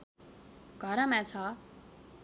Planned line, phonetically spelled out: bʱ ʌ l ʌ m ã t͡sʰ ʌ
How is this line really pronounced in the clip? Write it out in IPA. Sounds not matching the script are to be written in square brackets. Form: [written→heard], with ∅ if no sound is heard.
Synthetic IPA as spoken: [bʱ→ɡʱ] ʌ [l→ɾ] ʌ m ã t͡sʰ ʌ